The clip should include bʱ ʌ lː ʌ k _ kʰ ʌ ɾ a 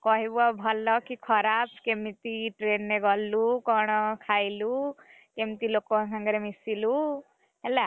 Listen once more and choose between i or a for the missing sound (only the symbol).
i